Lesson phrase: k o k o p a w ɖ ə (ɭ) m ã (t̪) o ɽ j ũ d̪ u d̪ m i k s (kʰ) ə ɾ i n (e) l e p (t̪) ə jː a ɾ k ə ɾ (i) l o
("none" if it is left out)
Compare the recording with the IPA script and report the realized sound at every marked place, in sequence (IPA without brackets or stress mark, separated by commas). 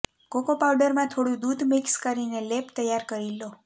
ɾ, t̪ʰ, k, e, t̪, i